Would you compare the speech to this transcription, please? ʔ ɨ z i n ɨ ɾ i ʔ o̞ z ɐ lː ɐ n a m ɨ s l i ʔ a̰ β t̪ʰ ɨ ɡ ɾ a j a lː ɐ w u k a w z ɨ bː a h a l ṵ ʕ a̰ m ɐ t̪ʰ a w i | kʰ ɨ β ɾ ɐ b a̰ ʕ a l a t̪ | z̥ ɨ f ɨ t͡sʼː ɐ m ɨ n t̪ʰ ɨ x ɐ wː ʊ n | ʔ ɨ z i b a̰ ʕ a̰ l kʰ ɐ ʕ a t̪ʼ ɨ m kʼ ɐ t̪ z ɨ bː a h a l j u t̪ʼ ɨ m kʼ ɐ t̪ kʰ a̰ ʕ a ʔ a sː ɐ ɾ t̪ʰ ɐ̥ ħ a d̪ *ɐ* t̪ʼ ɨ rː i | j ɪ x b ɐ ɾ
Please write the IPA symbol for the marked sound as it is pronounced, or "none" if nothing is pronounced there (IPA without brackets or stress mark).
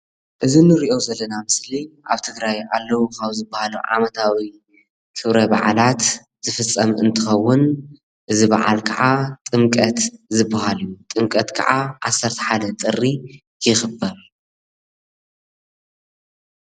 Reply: ɐ